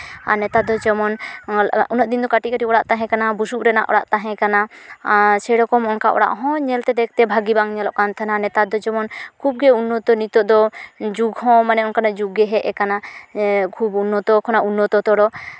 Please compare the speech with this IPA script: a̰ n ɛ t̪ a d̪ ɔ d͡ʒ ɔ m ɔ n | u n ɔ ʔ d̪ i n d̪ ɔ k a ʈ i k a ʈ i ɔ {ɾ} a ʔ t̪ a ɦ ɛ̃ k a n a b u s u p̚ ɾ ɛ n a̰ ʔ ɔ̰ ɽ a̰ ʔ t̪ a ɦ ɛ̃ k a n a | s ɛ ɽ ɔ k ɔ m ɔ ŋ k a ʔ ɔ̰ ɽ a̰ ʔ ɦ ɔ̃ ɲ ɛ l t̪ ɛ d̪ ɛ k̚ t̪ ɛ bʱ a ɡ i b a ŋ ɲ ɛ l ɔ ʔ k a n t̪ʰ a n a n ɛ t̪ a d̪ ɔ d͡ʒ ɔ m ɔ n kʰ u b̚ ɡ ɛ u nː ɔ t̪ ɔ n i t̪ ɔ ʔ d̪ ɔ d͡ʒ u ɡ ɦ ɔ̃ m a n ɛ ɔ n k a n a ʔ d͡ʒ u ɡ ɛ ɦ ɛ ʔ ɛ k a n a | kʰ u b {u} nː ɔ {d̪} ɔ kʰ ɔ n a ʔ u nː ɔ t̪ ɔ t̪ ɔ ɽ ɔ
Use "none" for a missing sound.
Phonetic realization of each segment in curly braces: ɽ, u, t̪

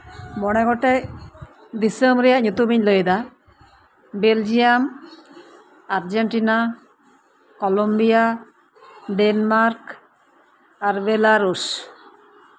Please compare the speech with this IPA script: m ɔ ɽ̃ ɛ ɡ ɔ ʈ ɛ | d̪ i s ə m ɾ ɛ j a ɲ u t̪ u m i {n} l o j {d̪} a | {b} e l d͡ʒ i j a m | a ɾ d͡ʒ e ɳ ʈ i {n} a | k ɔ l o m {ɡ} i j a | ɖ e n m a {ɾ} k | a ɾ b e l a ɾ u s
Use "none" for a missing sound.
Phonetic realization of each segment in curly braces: ɲ, d̪, b, n, b, ɾ

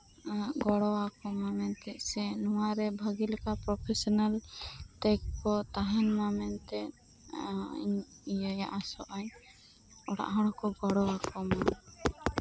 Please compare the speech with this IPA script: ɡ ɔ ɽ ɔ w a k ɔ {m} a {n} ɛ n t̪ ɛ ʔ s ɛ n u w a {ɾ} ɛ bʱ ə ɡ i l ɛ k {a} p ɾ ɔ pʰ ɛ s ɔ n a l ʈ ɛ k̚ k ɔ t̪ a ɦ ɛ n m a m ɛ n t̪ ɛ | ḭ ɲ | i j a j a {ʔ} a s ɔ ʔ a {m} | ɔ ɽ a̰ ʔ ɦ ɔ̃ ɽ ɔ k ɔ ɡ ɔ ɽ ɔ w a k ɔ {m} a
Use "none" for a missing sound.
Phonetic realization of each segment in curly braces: m, m, ɾ, a, ʔ, ɲ, m

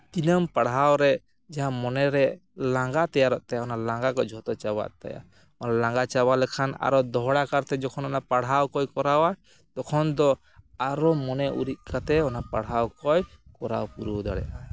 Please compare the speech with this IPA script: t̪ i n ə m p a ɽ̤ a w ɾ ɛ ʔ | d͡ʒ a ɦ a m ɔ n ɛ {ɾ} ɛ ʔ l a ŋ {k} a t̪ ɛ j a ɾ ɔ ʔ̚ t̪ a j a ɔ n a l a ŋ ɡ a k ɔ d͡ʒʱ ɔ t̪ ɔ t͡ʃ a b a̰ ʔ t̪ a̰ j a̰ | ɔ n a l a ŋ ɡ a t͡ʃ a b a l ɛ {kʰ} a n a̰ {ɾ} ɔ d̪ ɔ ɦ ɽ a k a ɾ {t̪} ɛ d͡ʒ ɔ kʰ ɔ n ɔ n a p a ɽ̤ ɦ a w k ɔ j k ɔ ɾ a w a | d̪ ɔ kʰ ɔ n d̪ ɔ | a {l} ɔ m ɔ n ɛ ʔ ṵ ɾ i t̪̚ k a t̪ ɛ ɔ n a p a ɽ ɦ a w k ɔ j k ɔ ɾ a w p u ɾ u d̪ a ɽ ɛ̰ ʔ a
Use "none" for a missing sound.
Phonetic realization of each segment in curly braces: ɾ, ɡ, kʰ, ɾ, t̪, ɾ

